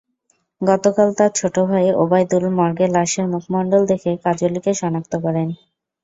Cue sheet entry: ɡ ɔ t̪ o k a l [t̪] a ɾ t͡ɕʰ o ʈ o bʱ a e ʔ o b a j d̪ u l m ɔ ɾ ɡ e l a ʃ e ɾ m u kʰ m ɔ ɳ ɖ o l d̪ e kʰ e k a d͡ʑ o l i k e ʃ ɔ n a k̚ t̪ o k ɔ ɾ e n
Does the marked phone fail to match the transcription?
no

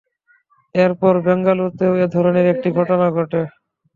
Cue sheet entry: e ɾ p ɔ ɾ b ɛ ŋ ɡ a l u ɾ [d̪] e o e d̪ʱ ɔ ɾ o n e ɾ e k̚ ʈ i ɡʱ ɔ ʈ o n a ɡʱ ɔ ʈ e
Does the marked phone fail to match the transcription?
yes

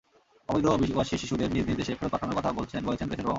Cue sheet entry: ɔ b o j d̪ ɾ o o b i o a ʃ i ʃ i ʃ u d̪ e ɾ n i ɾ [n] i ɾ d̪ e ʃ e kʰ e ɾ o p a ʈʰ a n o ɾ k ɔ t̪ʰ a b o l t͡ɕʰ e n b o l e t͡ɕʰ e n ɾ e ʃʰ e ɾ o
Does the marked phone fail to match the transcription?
no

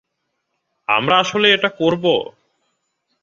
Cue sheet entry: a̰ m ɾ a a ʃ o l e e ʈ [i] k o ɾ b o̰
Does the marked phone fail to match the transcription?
yes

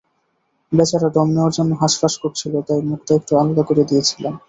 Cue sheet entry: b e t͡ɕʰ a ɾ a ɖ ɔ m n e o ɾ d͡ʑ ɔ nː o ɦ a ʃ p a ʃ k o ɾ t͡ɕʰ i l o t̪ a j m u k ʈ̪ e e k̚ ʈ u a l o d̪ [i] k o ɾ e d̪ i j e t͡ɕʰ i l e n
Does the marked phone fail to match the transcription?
yes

